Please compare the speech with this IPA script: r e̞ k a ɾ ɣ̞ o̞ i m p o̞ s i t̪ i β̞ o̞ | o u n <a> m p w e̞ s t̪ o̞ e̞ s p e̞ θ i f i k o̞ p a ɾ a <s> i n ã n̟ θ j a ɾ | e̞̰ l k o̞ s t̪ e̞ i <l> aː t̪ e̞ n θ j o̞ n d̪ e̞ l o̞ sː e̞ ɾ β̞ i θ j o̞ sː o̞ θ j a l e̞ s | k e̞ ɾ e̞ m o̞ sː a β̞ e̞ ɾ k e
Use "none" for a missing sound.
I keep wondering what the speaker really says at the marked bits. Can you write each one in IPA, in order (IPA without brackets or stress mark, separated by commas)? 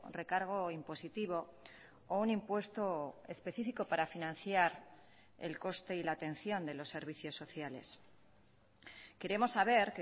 i, f, l